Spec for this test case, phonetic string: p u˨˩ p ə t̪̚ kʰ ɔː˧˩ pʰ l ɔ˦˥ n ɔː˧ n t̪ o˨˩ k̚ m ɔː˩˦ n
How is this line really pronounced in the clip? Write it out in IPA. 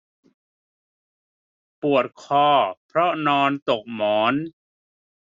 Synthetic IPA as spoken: p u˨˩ ə t̪̚ kʰ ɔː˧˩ pʰ ɾ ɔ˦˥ n ɔː˧ n t̪ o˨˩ k̚ m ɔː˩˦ n